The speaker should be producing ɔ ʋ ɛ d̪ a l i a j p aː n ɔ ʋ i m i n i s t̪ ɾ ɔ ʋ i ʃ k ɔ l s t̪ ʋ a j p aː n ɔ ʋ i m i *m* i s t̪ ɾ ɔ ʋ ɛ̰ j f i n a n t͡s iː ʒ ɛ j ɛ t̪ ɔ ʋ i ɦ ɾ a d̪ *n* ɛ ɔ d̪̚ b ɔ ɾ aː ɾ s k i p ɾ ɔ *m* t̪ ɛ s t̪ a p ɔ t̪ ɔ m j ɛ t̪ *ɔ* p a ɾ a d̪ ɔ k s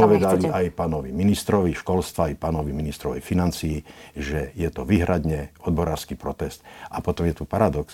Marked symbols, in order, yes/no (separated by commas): no, no, no, no